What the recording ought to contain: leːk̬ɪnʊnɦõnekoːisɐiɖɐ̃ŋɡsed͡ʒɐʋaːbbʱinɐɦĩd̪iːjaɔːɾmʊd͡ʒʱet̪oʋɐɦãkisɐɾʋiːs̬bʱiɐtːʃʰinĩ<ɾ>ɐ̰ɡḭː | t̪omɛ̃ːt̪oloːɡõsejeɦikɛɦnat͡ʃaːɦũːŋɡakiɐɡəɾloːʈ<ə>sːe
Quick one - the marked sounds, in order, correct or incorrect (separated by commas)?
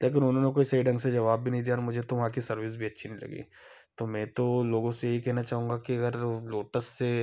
incorrect, correct